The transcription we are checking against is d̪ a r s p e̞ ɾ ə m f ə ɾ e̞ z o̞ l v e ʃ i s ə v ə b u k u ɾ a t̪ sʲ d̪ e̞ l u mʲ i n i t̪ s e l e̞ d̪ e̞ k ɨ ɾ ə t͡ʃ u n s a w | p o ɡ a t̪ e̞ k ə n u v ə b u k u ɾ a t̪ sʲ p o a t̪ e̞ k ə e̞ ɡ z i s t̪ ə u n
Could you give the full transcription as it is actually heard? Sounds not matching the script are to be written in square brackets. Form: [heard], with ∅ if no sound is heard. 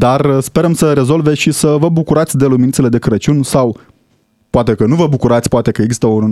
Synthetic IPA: d̪ a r s p e̞ ɾ ə m [s] ə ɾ e̞ z o̞ l v e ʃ i s ə v ə b u k u ɾ a t̪ sʲ d̪ e̞ l u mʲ i n i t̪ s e l e̞ d̪ e̞ k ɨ ɾ ə t͡ʃ u n s a w | p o [∅] a t̪ e̞ k ə n u v ə b u k u ɾ a t̪ sʲ p o a t̪ e̞ k ə e̞ ɡ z i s t̪ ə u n